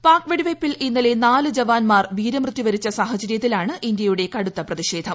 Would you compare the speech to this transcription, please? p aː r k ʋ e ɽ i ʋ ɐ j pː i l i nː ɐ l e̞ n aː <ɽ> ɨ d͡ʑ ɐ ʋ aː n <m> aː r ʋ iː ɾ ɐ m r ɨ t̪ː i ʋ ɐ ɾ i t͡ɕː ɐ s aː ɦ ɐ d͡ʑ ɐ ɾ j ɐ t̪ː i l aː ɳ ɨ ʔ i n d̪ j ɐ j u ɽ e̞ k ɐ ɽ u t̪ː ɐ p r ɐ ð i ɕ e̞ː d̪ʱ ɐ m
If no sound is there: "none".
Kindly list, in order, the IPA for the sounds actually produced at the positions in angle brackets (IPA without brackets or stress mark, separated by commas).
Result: l, m